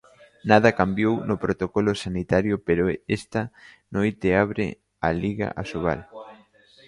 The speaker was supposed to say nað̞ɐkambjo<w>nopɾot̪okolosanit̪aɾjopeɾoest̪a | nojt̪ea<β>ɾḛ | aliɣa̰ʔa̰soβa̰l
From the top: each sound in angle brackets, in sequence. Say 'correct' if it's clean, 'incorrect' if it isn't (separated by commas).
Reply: correct, correct